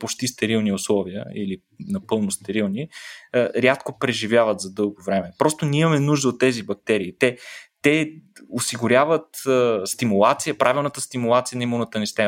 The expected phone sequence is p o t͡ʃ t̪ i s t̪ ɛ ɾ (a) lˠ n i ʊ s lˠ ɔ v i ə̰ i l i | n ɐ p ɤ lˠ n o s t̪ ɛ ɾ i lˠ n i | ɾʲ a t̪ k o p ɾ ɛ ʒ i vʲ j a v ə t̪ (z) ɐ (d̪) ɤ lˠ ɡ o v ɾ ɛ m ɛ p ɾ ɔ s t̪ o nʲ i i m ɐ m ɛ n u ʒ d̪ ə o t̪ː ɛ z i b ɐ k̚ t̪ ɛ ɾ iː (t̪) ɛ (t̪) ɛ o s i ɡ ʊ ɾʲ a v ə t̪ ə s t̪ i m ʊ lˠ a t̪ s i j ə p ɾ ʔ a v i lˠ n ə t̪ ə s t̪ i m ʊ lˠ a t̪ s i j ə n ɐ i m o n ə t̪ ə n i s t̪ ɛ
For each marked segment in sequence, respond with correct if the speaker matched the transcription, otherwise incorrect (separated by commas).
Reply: incorrect, correct, correct, correct, correct